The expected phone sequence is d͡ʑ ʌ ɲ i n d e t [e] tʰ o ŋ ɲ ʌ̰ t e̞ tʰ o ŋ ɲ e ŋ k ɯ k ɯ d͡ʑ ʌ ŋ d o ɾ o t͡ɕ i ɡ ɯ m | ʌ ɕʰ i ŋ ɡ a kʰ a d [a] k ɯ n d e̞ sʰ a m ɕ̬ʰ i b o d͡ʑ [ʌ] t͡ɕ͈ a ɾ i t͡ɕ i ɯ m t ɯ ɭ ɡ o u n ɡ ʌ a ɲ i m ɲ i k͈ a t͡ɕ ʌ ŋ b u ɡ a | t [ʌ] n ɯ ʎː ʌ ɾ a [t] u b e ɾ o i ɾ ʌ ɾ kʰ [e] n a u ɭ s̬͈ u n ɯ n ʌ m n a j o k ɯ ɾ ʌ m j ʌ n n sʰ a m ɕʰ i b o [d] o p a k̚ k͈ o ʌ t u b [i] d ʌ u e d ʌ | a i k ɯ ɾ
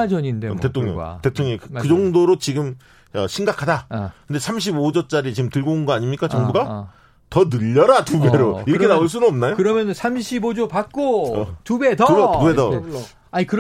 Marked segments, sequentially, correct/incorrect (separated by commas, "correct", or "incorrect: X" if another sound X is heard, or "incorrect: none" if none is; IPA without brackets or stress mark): correct, correct, correct, correct, correct, correct, incorrect: d͡ʑ, incorrect: e